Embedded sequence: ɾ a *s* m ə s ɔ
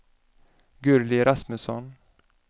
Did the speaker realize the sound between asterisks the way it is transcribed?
yes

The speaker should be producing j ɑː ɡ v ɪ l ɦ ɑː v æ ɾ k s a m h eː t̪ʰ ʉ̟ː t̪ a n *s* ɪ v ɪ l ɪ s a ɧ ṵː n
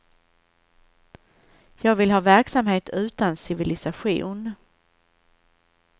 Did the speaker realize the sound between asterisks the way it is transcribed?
yes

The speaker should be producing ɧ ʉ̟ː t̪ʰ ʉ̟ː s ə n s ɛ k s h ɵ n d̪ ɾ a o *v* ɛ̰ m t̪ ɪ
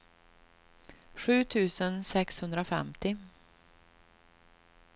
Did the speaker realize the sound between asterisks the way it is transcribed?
no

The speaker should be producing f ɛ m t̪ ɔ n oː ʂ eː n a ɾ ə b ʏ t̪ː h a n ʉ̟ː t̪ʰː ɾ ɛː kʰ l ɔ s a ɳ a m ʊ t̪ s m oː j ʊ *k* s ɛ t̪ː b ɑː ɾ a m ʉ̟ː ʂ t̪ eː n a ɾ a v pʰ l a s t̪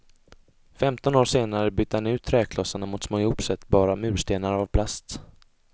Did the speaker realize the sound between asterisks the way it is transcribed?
no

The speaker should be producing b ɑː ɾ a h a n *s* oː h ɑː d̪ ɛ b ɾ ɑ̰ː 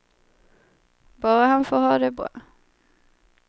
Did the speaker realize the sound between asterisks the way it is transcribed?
no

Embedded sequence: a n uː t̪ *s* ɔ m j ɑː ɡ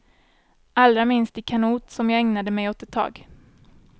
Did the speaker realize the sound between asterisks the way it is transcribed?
yes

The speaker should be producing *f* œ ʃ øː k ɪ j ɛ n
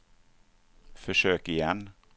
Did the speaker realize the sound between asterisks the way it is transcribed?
yes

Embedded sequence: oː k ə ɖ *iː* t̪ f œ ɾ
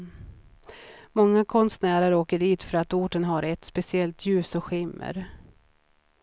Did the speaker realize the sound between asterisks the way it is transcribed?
yes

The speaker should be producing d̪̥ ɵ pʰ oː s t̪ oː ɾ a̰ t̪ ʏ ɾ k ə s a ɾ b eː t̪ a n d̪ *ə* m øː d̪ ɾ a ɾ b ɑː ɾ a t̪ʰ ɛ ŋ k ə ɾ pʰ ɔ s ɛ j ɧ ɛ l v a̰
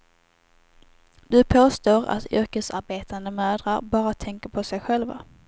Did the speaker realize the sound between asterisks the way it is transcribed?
yes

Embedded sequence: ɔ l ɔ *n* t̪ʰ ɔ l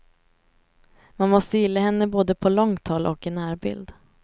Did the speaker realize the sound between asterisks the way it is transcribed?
no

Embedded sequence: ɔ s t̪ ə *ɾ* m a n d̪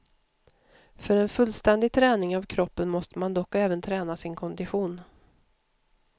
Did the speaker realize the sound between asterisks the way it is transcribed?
no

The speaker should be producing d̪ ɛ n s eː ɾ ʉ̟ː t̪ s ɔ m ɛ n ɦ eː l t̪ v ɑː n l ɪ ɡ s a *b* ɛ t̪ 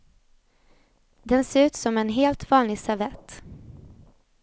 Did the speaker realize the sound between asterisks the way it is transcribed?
no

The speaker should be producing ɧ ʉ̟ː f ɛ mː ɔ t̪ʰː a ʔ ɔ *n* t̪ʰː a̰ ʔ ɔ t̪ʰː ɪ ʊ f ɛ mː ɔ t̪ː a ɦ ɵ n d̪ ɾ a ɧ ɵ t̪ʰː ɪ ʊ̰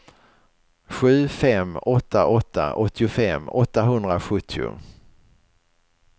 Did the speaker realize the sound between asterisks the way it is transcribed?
no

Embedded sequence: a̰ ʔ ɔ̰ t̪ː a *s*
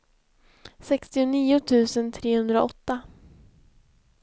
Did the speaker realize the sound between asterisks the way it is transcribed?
no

